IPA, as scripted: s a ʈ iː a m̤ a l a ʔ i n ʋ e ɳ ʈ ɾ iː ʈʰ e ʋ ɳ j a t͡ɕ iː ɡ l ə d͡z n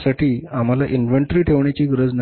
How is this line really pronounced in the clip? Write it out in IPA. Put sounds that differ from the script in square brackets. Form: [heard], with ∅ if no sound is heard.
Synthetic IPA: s a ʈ iː a m̤ a l a ʔ i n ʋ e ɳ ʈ ɾ iː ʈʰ e ʋ ɳ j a t͡ɕ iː ɡ [ɾ] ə d͡z n